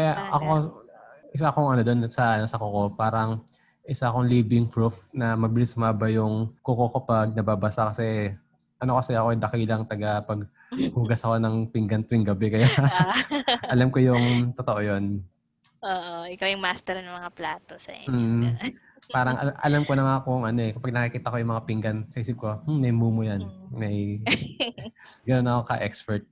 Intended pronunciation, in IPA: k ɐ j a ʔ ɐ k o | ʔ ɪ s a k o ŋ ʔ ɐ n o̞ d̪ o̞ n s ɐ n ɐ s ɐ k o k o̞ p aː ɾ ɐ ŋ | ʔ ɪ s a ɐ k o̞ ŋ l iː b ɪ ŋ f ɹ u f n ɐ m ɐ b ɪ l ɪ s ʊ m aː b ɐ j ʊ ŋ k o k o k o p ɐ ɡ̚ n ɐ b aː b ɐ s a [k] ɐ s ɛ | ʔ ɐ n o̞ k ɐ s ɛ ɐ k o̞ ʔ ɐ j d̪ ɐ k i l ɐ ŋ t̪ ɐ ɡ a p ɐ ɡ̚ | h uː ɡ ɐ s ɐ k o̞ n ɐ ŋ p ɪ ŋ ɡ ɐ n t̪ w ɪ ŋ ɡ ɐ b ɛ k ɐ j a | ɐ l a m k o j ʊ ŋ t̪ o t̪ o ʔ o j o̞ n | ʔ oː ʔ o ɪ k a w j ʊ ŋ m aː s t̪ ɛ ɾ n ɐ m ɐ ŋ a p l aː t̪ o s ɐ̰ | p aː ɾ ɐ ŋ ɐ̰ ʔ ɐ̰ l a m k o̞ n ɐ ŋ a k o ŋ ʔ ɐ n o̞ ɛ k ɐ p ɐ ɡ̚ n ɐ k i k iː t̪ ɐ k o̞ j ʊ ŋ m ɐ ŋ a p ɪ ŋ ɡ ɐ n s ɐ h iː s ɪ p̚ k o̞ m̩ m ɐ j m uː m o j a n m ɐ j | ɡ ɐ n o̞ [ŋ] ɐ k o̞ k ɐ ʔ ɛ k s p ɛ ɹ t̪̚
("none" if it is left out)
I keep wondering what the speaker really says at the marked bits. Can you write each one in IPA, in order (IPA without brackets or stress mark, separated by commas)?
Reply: k, n